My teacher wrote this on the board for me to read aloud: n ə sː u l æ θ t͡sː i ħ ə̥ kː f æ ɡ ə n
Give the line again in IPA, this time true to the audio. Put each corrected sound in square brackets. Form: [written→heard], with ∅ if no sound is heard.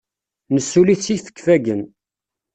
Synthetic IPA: n ə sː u l [æ→i] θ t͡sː i [ħ→f] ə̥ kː f æ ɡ ə n